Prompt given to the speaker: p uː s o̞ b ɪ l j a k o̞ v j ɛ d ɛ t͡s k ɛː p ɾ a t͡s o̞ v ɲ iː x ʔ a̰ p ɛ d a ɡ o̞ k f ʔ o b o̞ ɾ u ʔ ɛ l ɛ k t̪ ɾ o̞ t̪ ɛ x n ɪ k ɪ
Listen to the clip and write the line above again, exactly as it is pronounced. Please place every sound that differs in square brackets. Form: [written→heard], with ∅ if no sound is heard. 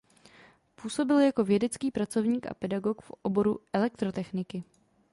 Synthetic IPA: p uː s o̞ b ɪ l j a k o̞ v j ɛ d ɛ t͡s k [ɛː→iː] p ɾ a t͡s o̞ v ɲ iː [x→k] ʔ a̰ p ɛ d a ɡ o̞ k f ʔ o b o̞ ɾ u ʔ ɛ l ɛ k t̪ ɾ o̞ t̪ ɛ x n ɪ k ɪ